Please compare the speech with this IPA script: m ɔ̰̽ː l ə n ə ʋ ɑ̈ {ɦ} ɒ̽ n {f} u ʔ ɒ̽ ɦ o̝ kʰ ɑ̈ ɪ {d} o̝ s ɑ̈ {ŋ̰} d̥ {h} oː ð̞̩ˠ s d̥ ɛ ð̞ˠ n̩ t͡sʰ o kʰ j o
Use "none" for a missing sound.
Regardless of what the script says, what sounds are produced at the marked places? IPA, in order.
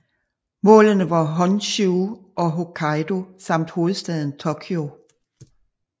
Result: ɦ, ɕ, d, m̰, h

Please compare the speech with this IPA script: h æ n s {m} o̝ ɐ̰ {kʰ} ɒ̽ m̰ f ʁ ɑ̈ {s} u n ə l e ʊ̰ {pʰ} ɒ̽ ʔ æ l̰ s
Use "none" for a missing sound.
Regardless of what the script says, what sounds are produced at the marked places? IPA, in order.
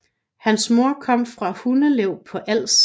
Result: m, kʰ, h, pʰ

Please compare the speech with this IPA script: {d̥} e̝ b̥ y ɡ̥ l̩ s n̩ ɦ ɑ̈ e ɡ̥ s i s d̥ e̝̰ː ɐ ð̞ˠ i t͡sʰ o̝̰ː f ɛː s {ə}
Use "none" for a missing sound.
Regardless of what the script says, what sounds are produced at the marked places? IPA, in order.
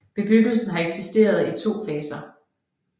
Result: b̥, ɐ

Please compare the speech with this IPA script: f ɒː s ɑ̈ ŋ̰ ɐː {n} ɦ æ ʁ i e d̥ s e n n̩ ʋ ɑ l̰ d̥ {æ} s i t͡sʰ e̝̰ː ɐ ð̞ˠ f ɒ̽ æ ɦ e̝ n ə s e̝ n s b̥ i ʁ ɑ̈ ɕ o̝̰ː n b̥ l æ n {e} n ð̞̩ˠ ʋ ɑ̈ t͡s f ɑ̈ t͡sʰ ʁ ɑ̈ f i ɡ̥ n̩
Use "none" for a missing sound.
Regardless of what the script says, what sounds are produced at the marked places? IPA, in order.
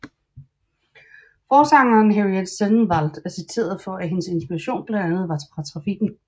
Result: n, æ, æ

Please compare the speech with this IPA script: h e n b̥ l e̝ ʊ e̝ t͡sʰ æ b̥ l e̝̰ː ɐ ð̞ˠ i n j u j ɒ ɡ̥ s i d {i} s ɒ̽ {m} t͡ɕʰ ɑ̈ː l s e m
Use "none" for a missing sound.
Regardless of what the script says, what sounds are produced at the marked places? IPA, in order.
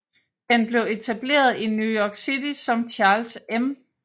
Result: i, m

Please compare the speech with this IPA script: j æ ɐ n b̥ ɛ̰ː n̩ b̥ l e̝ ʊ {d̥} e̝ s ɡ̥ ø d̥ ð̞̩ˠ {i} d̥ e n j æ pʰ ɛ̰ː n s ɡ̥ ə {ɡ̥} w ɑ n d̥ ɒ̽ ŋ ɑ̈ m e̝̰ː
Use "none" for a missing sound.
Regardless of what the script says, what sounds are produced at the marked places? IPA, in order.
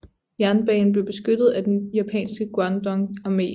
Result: b̥, æ, ɡ̥

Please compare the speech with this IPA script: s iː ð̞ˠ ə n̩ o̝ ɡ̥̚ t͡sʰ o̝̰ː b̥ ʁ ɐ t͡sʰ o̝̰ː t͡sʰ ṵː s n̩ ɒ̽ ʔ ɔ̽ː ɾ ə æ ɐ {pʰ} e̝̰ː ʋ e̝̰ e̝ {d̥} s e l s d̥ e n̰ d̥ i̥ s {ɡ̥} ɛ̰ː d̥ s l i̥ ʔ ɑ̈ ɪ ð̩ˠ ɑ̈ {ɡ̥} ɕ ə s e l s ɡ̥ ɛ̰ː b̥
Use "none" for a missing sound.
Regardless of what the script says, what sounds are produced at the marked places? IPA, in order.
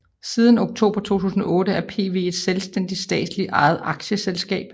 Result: pʰ, d̥, d̥, ɡ̥

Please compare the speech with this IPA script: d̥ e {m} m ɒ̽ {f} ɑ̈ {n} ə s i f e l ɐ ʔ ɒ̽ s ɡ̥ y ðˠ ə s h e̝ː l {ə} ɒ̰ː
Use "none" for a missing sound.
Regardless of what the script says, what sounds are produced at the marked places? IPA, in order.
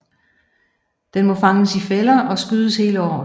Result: n, f, ŋ, ə

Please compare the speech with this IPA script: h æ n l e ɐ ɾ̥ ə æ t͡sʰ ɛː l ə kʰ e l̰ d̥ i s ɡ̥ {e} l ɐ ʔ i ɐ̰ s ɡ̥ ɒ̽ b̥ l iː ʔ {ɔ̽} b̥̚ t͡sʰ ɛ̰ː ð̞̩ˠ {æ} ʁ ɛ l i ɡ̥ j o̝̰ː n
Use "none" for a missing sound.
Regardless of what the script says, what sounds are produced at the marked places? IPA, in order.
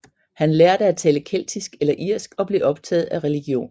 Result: e, ɒ̽, æ

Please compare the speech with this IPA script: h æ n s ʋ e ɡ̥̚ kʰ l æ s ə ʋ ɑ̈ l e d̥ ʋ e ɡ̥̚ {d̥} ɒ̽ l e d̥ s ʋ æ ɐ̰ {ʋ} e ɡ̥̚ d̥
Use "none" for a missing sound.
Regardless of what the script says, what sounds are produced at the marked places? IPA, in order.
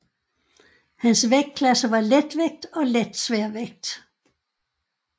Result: d̥, ʋ

